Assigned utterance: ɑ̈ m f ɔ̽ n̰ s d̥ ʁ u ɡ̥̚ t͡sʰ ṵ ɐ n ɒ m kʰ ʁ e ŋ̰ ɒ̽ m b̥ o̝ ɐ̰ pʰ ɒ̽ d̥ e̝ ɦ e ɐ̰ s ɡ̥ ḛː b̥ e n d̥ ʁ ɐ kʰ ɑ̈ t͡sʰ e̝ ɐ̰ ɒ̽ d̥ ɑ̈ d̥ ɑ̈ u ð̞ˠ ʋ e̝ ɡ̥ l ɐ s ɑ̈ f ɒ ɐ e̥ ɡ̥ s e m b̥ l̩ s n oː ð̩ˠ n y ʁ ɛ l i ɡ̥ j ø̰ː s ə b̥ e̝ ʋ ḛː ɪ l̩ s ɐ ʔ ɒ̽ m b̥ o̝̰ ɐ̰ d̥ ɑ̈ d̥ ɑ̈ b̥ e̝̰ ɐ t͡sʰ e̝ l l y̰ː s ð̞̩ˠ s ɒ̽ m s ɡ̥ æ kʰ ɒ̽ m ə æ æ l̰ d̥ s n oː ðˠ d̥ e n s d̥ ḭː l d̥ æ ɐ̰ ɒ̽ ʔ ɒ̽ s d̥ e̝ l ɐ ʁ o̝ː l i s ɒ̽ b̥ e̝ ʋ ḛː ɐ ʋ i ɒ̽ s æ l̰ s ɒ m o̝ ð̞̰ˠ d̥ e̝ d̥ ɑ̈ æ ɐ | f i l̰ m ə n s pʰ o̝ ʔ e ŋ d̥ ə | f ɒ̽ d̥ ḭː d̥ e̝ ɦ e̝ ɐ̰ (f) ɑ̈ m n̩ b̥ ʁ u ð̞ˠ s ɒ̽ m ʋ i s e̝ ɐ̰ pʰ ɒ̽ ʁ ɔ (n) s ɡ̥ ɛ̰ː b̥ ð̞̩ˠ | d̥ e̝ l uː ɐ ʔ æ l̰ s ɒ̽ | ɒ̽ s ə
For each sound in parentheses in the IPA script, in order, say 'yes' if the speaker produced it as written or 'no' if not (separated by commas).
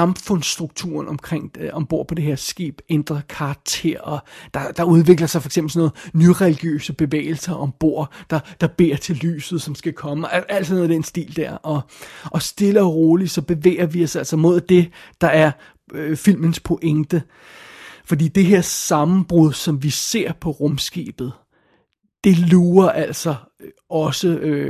no, no